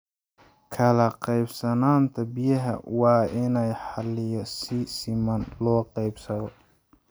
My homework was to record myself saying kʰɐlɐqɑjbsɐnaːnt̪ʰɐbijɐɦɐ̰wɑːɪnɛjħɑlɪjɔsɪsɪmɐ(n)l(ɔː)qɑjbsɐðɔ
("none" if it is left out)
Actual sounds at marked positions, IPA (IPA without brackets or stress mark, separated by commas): n, ɔː